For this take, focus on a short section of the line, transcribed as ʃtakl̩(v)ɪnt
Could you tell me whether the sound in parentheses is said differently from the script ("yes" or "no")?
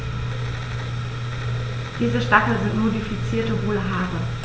yes